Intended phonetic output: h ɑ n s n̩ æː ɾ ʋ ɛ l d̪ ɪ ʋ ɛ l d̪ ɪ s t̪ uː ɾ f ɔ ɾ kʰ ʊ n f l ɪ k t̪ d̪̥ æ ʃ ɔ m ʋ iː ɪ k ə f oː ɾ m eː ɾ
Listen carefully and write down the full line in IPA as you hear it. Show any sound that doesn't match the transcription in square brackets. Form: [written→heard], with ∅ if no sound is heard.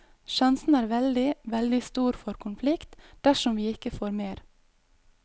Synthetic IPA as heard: [h→ʃ] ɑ n s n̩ æː ɾ ʋ ɛ l d̪ ɪ ʋ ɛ l d̪ ɪ s t̪ uː ɾ f ɔ ɾ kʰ ʊ n f l ɪ k t̪ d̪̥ æ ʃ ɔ m ʋ iː ɪ k ə f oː ɾ m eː ɾ